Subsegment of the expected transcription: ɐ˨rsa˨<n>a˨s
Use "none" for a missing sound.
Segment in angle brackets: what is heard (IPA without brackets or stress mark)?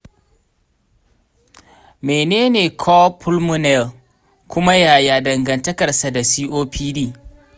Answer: d